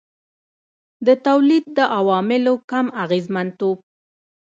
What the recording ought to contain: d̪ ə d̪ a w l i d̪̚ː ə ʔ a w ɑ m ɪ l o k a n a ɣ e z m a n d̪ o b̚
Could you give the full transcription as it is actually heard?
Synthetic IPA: d̪ ə t̪ a w l i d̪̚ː ə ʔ a w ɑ m ɪ l o k a m a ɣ e z m a n t̪ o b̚